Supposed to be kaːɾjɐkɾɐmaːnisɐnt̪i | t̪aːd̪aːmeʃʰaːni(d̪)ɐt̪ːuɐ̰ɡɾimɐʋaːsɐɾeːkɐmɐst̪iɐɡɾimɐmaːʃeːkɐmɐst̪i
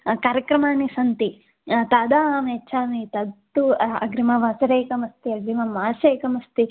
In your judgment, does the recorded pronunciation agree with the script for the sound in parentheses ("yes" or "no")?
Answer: no